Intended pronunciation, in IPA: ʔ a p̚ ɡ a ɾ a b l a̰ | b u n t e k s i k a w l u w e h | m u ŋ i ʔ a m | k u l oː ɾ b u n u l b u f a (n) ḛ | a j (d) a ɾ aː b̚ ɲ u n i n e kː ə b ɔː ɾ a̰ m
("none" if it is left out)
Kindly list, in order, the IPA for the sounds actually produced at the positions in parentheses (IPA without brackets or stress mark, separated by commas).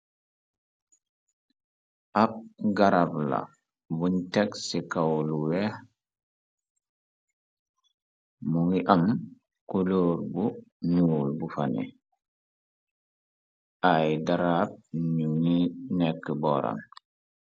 n, d